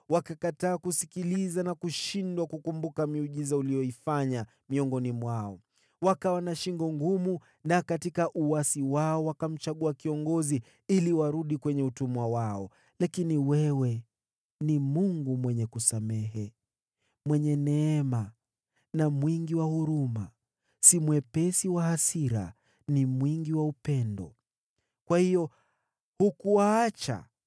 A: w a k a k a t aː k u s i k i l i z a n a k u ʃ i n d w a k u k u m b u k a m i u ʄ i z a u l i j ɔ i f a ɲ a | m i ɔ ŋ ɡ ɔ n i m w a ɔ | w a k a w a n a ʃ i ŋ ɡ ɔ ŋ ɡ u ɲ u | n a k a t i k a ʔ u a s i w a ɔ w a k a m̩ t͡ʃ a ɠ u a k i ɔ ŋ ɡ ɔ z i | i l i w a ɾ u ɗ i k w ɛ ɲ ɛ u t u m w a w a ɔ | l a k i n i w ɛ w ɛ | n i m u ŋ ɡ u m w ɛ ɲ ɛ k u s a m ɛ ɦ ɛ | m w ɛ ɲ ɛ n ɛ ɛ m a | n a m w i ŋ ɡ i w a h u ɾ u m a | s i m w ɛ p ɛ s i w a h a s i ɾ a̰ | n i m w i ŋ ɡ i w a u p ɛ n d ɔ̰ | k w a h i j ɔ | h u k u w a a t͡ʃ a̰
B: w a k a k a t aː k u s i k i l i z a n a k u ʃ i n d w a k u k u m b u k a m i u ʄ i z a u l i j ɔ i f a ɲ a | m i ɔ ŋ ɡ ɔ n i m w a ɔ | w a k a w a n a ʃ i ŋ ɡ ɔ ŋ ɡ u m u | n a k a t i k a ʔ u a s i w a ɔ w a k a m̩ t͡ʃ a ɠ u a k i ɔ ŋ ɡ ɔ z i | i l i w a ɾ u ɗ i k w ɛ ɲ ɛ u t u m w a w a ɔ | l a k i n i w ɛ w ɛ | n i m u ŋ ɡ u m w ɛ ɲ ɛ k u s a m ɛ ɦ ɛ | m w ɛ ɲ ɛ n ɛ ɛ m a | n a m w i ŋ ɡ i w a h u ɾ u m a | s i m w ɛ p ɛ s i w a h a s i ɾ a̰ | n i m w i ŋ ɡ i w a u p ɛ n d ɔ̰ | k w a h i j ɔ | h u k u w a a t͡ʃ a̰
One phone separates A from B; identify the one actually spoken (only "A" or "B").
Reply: B